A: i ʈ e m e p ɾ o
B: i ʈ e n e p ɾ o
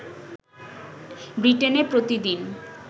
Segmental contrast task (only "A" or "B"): B